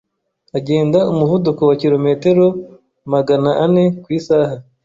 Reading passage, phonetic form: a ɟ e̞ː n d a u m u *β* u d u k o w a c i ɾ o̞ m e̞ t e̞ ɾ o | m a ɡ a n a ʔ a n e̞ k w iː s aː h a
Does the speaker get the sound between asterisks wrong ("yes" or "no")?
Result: yes